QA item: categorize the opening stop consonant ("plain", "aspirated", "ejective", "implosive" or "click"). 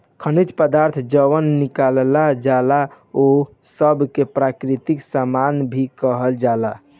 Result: aspirated